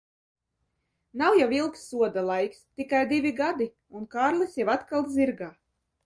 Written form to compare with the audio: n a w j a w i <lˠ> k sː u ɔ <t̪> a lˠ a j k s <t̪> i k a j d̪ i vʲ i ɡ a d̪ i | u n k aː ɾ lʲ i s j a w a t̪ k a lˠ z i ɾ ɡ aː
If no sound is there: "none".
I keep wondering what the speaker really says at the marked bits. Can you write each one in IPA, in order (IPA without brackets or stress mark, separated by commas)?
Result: lˠ, d̪, t̪